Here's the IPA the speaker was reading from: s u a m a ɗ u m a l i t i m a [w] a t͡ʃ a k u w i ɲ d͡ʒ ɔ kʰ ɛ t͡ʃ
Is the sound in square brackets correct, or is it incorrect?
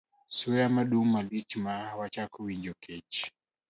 correct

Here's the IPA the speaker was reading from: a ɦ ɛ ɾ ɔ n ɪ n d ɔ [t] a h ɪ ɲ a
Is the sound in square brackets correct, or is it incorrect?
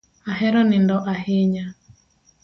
incorrect: ʔ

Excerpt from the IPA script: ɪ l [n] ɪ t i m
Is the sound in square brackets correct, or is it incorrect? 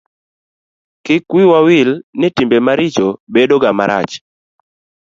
correct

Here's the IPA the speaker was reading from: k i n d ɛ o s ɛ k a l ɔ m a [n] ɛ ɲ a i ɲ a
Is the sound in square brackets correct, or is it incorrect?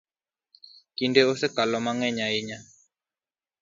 incorrect: ŋ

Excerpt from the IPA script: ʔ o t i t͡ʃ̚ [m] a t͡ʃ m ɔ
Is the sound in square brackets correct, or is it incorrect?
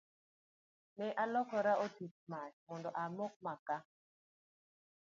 correct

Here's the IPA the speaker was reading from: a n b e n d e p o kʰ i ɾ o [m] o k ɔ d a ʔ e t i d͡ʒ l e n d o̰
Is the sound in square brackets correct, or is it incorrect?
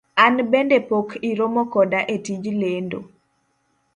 correct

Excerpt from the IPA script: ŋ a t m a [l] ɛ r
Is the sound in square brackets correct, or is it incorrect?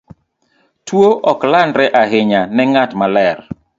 correct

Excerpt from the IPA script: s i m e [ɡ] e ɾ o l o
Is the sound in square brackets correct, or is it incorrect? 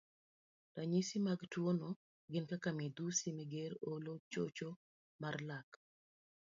correct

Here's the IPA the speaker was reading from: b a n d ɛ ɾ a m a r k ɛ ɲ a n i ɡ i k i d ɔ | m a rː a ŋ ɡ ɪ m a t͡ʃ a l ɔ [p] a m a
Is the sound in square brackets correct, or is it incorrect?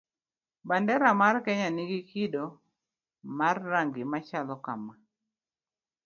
incorrect: k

